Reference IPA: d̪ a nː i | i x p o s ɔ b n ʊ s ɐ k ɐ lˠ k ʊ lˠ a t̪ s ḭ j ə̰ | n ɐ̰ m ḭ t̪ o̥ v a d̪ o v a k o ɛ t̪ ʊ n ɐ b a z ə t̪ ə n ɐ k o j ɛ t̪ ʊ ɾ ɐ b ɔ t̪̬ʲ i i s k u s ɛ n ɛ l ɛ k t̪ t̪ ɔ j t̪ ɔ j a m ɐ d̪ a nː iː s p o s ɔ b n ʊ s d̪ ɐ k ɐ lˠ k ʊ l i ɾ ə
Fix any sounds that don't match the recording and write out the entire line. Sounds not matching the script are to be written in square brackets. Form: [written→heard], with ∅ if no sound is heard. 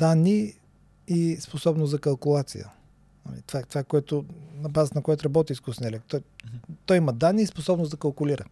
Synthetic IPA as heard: d̪ a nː i | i [x→s] p o s ɔ b n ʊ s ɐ k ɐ lˠ k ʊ lˠ a t̪ s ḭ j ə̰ | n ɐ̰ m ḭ t̪ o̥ v a [d̪→t̪] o v a k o ɛ t̪ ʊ n ɐ b a z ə t̪ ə n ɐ k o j ɛ t̪ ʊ ɾ ɐ b ɔ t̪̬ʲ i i s k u s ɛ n ɛ l ɛ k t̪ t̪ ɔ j t̪ ɔ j [a→i] m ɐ d̪ a nː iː s p o s ɔ b n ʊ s d̪ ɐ k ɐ lˠ k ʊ l i ɾ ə